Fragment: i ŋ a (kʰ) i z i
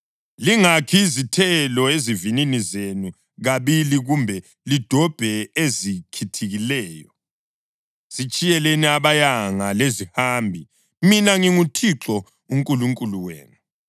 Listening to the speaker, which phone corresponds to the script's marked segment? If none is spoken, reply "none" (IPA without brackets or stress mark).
kʰ